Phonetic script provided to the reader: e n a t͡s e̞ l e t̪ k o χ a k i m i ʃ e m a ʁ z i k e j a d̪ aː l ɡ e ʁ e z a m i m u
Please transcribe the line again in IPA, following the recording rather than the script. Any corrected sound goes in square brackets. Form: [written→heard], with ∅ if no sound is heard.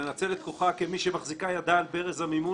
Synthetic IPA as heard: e n a t͡s e̞ l e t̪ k o χ a k [i→e] m i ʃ e m a [ʁ→χ] z i k [e→a] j a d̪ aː l [ɡ→b] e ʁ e z a m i m u